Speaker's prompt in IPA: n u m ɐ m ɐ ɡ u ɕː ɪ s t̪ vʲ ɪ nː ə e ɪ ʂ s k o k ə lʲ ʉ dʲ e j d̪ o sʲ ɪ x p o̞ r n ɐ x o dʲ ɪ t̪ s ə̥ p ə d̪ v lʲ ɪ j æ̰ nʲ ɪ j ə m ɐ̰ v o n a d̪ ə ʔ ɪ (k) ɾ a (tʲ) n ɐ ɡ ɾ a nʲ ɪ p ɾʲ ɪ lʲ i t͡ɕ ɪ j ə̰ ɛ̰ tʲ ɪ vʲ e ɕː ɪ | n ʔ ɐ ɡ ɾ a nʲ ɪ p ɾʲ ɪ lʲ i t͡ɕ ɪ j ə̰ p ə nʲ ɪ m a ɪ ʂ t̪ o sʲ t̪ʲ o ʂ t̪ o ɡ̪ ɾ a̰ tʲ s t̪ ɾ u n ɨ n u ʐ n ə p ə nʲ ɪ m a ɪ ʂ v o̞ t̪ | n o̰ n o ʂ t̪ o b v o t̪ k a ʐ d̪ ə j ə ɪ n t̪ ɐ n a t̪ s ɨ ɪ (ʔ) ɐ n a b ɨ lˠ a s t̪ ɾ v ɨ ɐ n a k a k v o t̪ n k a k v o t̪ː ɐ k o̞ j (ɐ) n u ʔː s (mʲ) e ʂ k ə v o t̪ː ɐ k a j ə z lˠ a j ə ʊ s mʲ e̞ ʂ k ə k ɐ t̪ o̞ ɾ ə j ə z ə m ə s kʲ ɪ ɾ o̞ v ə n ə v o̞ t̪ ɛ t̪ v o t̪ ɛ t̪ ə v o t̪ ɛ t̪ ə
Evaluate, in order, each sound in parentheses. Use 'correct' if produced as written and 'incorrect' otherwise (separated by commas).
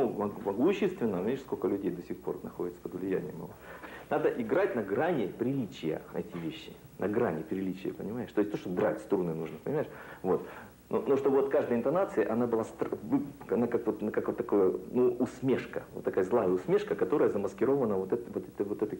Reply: incorrect, correct, correct, incorrect, correct